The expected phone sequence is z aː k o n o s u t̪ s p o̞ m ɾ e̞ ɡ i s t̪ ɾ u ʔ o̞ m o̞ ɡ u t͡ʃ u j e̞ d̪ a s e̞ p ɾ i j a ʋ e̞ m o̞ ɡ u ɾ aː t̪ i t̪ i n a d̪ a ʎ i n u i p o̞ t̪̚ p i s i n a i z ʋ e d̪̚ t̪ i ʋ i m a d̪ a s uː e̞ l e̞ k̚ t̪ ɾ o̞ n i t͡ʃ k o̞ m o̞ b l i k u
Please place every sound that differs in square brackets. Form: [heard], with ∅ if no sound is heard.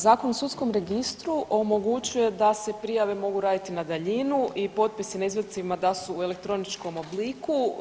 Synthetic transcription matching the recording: z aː k o n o s u t̪ s [k] o̞ m ɾ e̞ ɡ i s t̪ ɾ u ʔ o̞ m o̞ ɡ u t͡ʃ u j e̞ d̪ a s e̞ p ɾ i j a ʋ e̞ m o̞ ɡ u ɾ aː [d̪] i t̪ i n a d̪ a ʎ i n u i p o̞ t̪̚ p i s i n a i z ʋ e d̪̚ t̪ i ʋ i m a d̪ a s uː e̞ l e̞ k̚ t̪ ɾ o̞ n i t͡ʃ k o̞ m o̞ b l i k u